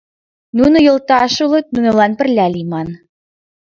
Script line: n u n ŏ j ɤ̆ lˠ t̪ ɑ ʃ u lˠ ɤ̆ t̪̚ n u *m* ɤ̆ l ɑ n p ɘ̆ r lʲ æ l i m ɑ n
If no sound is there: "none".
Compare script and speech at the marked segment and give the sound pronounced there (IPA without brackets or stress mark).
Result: n